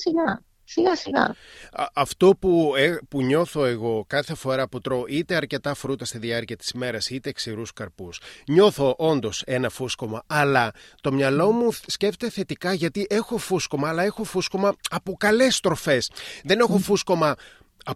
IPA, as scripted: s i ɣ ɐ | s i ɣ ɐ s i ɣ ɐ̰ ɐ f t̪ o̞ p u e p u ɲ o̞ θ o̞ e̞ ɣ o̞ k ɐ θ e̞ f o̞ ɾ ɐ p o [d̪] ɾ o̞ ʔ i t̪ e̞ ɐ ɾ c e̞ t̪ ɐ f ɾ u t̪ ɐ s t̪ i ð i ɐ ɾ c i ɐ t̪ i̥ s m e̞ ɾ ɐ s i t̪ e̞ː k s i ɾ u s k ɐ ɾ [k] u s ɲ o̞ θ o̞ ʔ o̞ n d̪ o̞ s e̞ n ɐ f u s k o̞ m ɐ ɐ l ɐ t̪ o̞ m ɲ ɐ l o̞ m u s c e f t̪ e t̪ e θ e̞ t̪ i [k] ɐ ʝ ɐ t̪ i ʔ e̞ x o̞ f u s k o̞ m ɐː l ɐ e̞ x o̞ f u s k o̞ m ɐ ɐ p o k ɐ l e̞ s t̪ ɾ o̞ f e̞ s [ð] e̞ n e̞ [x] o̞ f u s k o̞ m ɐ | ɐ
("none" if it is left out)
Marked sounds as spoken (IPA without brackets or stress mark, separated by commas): t̪, p, k, ð, x